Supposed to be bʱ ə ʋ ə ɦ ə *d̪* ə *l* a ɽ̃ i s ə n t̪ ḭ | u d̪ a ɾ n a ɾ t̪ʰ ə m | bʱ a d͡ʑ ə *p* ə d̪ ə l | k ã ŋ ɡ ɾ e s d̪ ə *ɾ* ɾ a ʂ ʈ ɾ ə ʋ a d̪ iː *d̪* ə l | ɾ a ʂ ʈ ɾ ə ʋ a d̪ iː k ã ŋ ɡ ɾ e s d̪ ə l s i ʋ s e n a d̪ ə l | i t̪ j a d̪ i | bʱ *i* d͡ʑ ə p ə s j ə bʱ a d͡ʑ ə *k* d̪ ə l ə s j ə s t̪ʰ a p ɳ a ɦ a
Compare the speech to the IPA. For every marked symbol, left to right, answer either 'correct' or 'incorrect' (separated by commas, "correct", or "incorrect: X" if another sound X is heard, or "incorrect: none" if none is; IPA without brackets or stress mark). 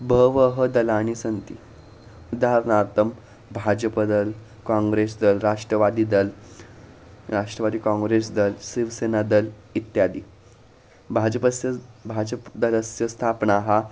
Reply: correct, correct, correct, incorrect: l, correct, incorrect: a, incorrect: p